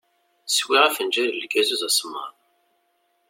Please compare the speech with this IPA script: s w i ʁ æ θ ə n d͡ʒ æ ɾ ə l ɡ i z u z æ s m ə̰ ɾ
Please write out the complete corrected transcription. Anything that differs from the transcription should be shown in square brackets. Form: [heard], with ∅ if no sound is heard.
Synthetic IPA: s w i ʁ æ [f] ə n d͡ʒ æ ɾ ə l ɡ [æ] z u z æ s m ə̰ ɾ